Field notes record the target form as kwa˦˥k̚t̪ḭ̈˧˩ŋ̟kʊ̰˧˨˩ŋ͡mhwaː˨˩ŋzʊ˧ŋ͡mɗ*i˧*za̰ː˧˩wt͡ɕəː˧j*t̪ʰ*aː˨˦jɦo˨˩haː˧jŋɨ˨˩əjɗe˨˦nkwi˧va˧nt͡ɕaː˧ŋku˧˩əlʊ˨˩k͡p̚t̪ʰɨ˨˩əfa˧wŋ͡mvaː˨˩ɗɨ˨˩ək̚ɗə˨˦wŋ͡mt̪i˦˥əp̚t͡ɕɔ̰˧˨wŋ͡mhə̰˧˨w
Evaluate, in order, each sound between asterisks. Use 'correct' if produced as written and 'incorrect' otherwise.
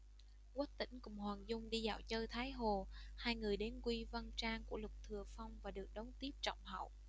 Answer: correct, correct

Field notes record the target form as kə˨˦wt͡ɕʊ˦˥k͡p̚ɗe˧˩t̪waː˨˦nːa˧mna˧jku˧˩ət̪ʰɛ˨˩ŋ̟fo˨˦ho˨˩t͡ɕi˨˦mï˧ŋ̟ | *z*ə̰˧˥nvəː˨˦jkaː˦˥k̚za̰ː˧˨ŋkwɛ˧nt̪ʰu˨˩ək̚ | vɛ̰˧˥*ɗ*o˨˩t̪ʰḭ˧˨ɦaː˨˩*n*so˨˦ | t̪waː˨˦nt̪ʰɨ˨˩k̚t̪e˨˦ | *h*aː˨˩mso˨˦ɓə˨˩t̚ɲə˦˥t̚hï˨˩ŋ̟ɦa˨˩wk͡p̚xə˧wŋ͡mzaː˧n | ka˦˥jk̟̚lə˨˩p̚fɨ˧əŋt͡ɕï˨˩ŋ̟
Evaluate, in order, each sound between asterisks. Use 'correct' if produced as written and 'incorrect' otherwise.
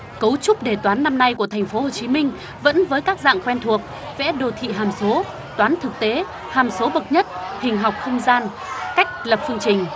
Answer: incorrect, correct, incorrect, correct

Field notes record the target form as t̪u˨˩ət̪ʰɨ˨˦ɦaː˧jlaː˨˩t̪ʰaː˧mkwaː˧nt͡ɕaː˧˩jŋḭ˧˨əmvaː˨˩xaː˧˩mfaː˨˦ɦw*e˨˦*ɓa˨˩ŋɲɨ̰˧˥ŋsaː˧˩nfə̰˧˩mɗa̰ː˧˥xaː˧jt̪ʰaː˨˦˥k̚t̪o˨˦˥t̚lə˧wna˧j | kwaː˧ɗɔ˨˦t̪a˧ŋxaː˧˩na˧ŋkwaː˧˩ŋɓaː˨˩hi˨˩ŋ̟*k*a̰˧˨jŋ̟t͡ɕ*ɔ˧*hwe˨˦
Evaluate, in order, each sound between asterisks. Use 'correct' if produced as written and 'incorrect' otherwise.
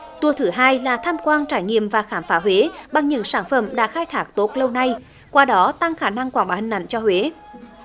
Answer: correct, incorrect, correct

